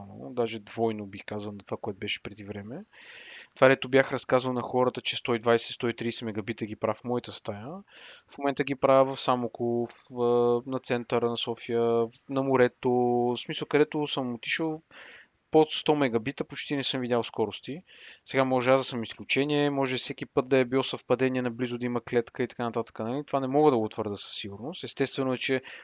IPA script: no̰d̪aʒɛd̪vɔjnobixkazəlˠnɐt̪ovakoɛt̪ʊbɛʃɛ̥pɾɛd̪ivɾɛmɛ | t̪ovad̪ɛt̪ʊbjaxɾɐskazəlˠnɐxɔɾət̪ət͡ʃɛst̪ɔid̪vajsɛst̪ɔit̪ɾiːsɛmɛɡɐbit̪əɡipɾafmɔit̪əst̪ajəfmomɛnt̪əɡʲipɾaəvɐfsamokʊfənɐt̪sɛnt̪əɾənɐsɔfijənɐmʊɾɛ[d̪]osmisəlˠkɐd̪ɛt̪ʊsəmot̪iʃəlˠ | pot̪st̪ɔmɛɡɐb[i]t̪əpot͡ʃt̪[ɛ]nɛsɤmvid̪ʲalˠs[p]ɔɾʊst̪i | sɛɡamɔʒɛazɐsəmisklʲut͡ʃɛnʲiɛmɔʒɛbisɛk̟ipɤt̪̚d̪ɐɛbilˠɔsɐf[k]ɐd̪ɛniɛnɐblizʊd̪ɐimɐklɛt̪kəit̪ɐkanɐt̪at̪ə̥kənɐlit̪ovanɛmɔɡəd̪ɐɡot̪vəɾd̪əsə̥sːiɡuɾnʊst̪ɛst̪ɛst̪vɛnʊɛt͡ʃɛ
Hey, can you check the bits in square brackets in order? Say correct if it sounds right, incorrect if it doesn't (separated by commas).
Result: incorrect, correct, incorrect, incorrect, incorrect